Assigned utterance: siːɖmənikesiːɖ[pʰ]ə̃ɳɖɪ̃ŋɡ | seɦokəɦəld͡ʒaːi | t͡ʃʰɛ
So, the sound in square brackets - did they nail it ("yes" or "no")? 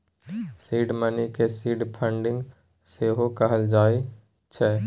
yes